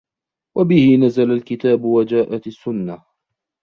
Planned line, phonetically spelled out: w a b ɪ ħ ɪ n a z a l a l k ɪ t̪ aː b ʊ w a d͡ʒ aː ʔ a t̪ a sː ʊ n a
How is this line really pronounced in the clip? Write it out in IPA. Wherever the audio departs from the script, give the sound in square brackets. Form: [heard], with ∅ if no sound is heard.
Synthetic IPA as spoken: w a b ɪ [h] ɪ n a z a l a l k ɪ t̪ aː b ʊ w a d͡ʒ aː ʔ a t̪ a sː ʊ [nː] a

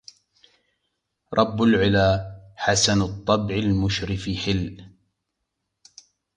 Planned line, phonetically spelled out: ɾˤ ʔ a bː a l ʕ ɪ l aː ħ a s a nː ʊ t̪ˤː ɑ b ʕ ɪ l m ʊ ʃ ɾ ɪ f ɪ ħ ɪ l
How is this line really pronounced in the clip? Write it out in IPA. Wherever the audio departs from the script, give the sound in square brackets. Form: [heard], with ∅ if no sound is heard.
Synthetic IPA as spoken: ɾˤ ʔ [ɑ] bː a l ʕ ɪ l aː ħ a s a [n] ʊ t̪ˤː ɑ b ʕ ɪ l m ʊ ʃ ɾ ɪ f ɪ ħ ɪ l

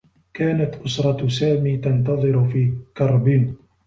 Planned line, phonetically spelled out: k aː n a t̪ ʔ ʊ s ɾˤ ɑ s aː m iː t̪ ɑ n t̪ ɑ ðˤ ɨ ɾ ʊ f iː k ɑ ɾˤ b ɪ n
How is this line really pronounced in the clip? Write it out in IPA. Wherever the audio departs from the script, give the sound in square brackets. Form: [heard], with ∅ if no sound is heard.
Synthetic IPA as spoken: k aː n a t̪ ʔ ʊ s ɾˤ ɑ s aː m iː t̪ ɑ n t̪ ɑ ðˤ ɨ ɾ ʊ f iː k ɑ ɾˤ b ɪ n

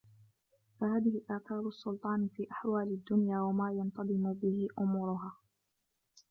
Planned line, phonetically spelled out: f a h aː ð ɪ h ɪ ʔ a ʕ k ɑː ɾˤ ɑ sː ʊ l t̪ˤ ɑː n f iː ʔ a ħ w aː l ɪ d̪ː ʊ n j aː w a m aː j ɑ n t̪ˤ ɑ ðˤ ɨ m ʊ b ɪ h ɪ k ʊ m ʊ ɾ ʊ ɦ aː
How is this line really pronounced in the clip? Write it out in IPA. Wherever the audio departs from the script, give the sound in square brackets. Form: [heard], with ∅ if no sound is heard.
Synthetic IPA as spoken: f a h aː ð ɪ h ɪ ʔ a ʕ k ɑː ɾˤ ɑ sː ʊ l t̪ˤ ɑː n f iː ʔ a ħ w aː l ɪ d̪ː ʊ n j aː w a m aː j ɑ n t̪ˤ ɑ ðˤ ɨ m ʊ b ɪ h ɪ [ʔ] ʊ m ʊ ɾ ʊ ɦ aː

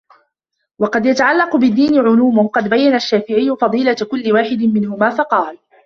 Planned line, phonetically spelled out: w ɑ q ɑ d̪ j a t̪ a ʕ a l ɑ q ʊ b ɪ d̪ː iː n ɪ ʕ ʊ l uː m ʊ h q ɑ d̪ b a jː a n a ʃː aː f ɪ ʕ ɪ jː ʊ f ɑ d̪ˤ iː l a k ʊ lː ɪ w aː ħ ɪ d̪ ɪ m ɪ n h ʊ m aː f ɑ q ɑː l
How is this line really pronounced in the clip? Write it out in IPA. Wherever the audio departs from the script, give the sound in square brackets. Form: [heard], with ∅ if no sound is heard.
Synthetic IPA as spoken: w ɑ q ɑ d̪ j a t̪ a ʕ a [lː] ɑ q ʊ b ɪ d̪ː iː n ɪ ʕ ʊ l uː m ʊ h q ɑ d̪ b a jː a n a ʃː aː f ɪ ʕ ɪ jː ʊ f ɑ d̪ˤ iː l a k ʊ lː ɪ w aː ħ ɪ d̪ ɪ m ɪ n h ʊ m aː f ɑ q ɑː l

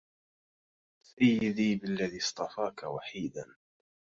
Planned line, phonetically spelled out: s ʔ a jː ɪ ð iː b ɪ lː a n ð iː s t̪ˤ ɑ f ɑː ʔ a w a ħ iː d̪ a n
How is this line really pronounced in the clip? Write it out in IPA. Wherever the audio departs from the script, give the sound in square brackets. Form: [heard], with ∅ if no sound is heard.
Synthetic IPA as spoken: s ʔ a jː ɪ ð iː b ɪ lː a [∅] ð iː s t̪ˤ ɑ f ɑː [k] a w a ħ iː d̪ a n

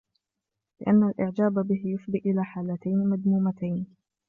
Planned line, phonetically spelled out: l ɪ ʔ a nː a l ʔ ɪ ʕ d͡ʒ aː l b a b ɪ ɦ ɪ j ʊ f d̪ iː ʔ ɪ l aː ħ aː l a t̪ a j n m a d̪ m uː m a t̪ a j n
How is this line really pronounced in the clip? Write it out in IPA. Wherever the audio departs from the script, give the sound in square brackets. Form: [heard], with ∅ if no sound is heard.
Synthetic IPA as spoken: l ɪ ʔ a nː a l ʔ ɪ ʕ d͡ʒ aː [∅] b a b ɪ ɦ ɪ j ʊ f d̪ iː ʔ ɪ l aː ħ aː l a t̪ a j n m a d̪ m uː m a t̪ a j n

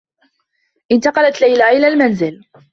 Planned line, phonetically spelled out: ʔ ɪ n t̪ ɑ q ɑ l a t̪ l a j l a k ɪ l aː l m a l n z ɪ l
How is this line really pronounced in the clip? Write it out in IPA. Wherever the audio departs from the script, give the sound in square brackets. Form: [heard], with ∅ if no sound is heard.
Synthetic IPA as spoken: ʔ ɪ n t̪ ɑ q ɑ l a t̪ l a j l a [ʔ] ɪ l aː l m a [∅] n z ɪ l

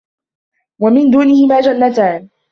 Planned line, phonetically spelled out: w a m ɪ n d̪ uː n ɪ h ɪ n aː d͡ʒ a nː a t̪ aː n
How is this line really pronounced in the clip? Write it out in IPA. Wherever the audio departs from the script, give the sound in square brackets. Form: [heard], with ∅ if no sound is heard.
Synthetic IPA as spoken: w a m ɪ n d̪ uː n ɪ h ɪ [m] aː d͡ʒ a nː a t̪ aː n

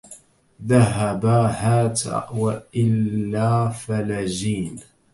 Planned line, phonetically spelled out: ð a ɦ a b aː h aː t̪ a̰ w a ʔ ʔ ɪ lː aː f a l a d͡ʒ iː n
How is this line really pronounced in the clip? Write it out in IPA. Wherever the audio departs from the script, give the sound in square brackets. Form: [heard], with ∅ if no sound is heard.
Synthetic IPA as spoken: ð a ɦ a b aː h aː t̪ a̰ w a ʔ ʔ ɪ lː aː f a l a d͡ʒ iː n

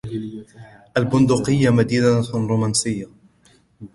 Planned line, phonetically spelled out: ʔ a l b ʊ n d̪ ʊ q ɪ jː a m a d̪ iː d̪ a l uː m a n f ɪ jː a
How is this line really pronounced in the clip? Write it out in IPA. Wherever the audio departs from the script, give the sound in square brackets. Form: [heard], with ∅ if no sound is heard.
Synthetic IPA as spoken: ʔ a l b ʊ n d̪ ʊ q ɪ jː a m a d̪ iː d̪ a [ɾ] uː m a n [s] ɪ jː a

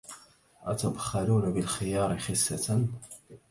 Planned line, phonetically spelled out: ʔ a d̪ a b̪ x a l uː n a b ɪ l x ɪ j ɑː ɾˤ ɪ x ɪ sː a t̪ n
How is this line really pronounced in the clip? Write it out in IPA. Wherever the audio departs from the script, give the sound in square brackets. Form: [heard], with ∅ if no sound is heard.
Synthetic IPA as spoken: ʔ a [t̪] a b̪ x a l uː n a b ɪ l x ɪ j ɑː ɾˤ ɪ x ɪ sː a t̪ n

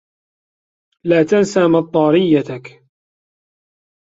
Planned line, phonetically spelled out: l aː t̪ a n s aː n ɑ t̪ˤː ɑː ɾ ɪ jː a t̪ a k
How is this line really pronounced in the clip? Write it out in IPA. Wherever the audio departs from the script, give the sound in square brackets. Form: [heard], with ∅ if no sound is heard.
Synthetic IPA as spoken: l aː t̪ a n s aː [m] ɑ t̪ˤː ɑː ɾ ɪ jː a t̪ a k

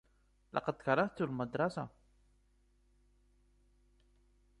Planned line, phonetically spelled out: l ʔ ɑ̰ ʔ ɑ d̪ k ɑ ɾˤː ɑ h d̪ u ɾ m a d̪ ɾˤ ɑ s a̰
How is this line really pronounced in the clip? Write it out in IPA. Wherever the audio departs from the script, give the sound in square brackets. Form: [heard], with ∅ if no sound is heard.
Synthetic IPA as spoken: l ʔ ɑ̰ [q] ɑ d̪ k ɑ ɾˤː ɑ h [t̪] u [l] m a d̪ ɾˤ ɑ s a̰

